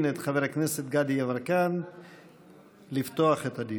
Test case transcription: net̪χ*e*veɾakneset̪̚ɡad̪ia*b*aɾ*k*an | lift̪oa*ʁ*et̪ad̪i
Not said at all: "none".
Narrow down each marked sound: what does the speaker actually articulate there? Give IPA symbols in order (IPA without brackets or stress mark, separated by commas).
a, v, k, χ